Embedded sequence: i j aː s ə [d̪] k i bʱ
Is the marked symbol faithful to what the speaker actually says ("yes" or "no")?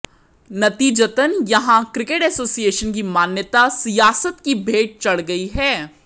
no